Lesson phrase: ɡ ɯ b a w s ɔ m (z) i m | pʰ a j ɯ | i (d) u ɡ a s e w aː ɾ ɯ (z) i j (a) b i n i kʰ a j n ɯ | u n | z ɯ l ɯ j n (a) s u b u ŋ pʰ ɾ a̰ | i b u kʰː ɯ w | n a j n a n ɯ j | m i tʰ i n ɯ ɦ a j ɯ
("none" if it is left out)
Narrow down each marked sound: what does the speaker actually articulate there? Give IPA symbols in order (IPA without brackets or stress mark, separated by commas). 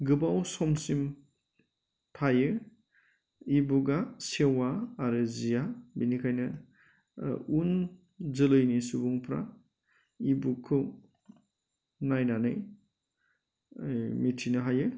s, b, z, a, i